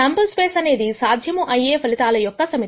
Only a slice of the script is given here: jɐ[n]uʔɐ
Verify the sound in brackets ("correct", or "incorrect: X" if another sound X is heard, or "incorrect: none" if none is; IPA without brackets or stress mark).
incorrect: m